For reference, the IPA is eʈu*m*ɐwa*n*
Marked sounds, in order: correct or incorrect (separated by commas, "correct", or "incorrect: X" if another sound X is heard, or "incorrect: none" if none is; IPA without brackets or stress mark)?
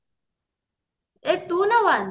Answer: incorrect: n, correct